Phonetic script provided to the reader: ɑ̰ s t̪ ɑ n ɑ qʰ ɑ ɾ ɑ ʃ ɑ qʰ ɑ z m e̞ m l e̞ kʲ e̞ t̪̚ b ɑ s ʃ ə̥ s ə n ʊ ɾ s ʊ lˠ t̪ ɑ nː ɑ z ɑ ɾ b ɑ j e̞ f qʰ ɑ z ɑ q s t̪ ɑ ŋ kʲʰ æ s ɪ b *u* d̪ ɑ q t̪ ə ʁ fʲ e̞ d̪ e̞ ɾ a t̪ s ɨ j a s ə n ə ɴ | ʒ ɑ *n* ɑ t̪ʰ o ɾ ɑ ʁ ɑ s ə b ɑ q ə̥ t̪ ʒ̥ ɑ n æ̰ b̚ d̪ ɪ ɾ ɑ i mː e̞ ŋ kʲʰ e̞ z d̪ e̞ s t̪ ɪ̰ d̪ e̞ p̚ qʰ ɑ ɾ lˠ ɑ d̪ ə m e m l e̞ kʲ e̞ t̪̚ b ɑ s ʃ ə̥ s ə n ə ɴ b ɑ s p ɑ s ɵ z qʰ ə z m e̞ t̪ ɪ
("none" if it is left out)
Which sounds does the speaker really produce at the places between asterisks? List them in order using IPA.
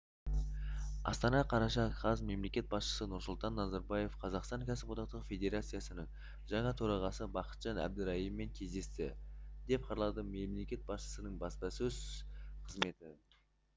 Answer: o, ɴ

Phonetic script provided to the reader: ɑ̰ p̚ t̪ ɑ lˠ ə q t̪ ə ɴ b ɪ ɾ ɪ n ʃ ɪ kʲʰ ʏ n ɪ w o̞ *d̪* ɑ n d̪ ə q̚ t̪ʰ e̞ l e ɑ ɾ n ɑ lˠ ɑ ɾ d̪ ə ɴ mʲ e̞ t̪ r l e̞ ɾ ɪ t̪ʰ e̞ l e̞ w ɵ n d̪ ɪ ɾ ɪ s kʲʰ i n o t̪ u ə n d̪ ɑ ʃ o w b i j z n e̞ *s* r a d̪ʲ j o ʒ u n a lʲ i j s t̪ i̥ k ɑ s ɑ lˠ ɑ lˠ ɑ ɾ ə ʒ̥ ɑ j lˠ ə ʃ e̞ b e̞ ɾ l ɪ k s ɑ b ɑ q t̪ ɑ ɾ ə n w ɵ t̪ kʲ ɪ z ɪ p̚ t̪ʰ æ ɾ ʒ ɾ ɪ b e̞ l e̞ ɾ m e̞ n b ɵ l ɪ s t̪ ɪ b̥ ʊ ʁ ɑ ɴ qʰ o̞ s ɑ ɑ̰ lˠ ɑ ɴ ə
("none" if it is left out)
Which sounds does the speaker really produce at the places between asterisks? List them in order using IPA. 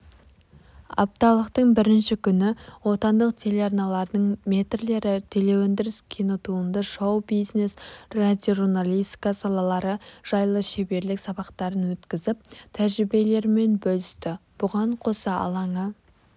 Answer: t̪, s

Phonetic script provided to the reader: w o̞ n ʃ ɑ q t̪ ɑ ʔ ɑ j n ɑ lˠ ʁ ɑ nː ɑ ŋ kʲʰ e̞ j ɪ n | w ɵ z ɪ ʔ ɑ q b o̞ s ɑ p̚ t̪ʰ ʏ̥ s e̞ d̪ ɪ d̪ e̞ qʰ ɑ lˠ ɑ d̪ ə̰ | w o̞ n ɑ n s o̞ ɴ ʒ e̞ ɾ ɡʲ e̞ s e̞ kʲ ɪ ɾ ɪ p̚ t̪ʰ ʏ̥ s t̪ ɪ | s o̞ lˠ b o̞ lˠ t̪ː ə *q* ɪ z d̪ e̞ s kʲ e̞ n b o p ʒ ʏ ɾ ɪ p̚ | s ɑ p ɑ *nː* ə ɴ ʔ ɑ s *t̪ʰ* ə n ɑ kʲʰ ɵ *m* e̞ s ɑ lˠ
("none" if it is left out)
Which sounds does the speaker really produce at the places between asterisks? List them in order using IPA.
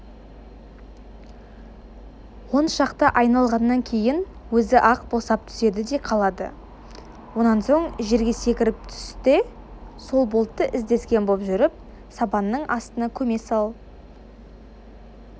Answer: ʔ, nː, t̪, m

